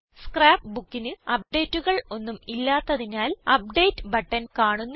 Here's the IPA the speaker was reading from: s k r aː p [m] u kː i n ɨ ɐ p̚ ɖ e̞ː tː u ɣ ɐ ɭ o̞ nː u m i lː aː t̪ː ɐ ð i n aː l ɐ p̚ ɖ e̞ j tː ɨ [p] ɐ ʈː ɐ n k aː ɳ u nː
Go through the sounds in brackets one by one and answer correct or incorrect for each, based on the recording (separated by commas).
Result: incorrect, incorrect